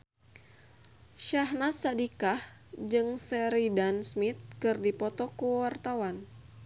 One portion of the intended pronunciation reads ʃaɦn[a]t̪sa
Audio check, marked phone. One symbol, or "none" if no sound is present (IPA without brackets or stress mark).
a